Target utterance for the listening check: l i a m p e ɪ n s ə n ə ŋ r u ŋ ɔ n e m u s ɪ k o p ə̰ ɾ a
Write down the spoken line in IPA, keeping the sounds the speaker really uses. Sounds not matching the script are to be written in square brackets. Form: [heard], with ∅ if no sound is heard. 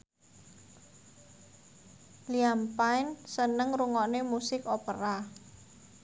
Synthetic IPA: l i a m p [a] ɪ n s ə n ə ŋ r u ŋ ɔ n e m u s ɪ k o p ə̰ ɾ a